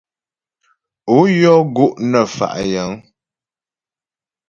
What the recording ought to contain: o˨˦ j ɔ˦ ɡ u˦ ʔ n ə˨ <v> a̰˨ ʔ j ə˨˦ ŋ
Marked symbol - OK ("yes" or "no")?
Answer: no